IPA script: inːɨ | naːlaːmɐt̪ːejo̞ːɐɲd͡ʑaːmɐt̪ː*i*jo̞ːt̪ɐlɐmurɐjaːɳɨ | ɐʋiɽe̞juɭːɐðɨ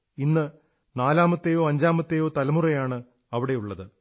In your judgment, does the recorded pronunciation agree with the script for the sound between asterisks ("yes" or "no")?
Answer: no